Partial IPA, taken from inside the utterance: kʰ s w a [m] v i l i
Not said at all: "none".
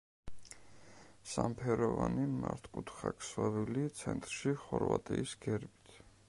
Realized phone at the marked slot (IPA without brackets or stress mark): none